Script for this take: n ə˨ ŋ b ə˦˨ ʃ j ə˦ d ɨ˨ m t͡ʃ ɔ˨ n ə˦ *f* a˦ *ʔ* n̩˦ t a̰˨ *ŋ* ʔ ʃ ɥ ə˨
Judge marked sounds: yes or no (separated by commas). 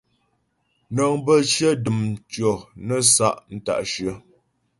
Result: no, yes, no